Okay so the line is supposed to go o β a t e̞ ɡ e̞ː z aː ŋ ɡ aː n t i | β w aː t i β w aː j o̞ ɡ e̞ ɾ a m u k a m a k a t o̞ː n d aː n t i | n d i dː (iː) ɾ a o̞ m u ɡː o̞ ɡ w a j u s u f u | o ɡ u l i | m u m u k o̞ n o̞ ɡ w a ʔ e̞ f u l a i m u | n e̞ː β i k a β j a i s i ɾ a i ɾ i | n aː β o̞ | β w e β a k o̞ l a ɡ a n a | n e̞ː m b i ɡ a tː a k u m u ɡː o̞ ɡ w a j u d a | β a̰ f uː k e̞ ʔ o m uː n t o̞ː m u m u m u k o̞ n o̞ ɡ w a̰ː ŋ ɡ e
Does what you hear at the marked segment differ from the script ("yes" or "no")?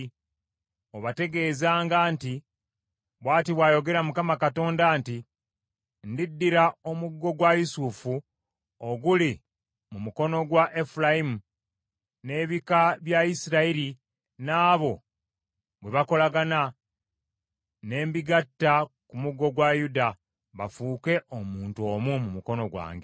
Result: yes